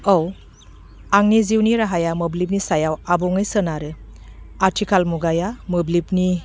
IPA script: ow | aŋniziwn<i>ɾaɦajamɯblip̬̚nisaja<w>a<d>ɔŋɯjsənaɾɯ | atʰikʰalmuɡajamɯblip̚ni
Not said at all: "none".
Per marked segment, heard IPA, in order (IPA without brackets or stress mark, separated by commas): i, w, b